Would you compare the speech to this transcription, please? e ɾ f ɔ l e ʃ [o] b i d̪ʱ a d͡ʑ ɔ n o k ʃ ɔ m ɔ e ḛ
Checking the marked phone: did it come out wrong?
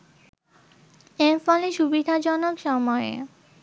yes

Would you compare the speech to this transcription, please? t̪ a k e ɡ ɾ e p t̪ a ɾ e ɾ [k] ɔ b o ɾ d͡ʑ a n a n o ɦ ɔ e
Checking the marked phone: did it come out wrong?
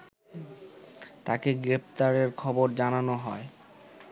yes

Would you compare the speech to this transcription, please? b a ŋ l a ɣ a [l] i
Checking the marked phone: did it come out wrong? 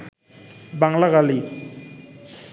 no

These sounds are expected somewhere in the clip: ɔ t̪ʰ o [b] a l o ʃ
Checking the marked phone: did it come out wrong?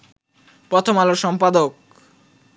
yes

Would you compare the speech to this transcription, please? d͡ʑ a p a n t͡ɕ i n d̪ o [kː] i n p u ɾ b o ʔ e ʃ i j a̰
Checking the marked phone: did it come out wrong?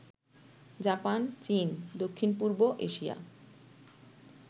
yes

